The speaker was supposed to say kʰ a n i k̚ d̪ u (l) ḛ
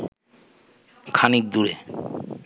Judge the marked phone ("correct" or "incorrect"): incorrect